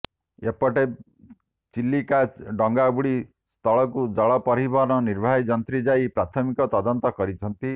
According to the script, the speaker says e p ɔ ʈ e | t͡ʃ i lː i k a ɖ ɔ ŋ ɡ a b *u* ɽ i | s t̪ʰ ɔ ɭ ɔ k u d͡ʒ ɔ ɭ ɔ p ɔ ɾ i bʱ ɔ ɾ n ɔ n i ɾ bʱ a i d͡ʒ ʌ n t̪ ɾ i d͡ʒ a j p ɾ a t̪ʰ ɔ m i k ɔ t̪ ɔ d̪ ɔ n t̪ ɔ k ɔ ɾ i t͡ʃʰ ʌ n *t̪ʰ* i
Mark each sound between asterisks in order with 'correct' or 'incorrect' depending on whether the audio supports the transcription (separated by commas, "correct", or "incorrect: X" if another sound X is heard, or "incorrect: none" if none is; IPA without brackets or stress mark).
correct, incorrect: t̪